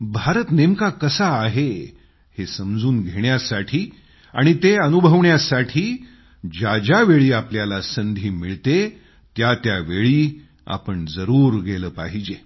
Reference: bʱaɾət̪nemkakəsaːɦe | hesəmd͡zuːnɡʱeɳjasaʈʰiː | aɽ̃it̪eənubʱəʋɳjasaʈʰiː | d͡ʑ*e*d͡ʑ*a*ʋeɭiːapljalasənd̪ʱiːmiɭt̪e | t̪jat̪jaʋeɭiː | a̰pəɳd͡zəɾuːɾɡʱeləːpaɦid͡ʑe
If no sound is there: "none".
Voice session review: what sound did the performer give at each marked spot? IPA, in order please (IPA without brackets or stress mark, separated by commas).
a, a